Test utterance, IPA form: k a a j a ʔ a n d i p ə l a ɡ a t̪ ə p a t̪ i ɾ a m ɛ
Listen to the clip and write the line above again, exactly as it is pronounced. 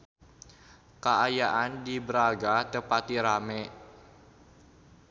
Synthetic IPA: k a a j a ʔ a n d i b ə ɾ a ɡ a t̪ ə p a t̪ i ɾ a m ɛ